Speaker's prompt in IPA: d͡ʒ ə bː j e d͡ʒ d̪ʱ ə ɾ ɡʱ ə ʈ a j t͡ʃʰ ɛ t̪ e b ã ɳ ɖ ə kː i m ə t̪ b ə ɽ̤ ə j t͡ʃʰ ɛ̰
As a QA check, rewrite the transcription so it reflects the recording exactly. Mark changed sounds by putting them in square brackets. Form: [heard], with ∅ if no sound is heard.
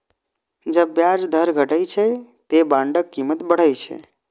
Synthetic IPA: d͡ʒ ə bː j [a] d͡ʒ d̪ʱ ə ɾ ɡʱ ə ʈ [ə] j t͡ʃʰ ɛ t̪ e b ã ɳ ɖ ə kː i m ə t̪ b ə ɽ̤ ə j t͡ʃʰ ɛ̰